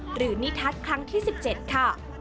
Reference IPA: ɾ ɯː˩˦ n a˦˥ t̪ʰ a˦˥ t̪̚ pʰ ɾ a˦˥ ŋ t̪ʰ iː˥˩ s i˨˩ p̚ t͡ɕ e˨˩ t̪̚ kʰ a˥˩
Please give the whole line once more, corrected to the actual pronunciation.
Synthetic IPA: ɾ ɯː˩˦ n i˦˥ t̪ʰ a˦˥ t̪̚ kʰ ɾ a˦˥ ŋ t̪ʰ iː˥˩ s i˨˩ p̚ t͡ɕ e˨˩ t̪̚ kʰ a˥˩